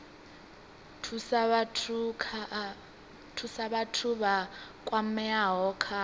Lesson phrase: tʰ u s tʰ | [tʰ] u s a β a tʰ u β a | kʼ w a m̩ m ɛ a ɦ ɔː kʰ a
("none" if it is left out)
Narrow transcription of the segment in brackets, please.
tʰ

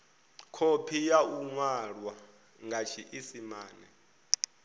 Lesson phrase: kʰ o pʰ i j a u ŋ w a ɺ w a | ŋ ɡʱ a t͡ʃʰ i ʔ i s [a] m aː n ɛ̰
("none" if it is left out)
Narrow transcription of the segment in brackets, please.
i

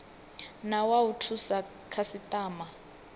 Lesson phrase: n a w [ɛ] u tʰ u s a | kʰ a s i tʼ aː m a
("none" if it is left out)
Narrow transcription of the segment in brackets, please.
a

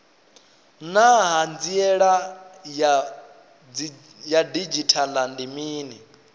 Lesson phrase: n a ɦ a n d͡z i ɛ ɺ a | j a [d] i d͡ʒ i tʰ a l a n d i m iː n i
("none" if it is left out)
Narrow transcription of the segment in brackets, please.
d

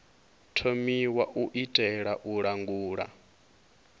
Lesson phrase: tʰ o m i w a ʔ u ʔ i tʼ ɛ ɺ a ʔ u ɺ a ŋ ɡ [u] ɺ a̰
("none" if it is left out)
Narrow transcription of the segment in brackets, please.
uː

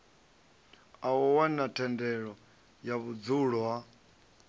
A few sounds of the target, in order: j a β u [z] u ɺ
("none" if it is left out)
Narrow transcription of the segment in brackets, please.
d͡z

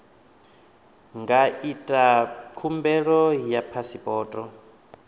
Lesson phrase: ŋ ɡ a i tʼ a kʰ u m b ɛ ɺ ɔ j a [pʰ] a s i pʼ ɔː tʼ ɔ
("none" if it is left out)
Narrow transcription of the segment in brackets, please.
pʰ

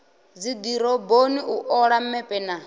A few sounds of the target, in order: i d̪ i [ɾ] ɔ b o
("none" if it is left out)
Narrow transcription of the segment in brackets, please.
ɾ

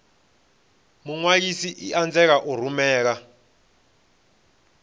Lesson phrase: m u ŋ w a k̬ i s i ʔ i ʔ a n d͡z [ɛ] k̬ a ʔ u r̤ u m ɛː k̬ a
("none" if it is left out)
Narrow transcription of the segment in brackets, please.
ɛ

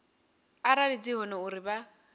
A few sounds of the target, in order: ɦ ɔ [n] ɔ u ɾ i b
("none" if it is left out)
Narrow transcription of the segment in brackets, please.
n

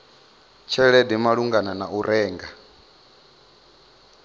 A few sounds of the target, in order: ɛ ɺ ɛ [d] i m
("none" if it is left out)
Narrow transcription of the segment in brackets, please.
d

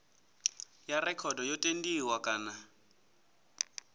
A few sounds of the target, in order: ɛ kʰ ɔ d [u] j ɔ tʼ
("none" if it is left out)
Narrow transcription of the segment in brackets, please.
ɔ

